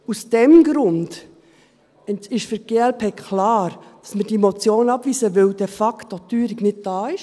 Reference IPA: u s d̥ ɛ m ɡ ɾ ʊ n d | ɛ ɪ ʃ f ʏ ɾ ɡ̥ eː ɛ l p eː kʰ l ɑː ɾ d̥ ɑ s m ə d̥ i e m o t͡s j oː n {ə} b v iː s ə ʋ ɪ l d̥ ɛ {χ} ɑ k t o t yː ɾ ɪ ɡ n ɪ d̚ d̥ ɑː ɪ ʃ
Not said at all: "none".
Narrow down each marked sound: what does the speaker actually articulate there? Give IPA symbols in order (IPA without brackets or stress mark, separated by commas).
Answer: ɑ, f